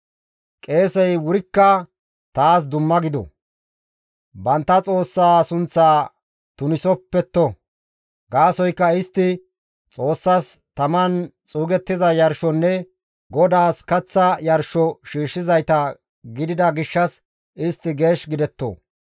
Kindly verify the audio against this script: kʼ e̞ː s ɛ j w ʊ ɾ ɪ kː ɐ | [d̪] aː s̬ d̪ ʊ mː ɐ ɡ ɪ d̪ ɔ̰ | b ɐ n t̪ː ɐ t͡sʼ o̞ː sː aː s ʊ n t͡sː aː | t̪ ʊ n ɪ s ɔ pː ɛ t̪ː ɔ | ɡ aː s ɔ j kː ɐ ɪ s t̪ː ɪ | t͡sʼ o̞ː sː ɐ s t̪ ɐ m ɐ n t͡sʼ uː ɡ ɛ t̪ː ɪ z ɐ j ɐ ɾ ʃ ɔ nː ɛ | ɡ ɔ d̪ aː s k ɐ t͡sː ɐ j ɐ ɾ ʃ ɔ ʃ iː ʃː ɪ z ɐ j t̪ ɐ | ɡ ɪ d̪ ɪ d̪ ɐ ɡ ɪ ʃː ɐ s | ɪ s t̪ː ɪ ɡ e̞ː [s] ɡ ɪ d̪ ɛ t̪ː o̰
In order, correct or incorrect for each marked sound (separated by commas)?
incorrect, incorrect